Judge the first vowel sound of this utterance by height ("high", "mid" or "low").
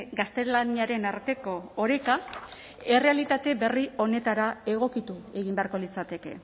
low